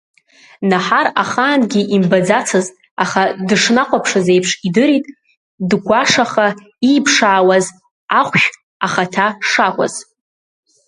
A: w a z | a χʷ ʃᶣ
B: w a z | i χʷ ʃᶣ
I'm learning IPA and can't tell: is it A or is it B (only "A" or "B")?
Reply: A